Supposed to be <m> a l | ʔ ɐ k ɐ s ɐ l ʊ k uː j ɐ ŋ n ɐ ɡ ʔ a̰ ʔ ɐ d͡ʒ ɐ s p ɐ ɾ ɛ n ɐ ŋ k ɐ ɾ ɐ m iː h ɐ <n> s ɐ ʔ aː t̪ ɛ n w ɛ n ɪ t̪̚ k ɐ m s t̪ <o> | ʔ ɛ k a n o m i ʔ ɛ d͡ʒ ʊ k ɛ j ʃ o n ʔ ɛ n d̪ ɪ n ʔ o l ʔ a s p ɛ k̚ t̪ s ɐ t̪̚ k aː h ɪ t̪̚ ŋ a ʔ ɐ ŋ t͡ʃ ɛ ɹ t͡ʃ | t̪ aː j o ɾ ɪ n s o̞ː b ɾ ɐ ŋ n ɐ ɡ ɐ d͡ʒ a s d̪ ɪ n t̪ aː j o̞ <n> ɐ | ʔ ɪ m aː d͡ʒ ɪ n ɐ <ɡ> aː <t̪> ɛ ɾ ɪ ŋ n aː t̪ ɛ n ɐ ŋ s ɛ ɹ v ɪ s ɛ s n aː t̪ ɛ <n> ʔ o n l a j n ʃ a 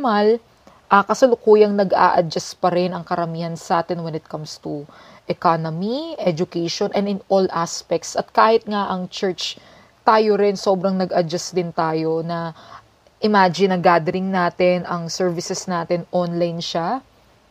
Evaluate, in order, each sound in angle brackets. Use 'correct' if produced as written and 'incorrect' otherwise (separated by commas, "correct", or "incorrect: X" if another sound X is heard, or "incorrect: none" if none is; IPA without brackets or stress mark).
correct, correct, incorrect: u, correct, correct, incorrect: d̪, correct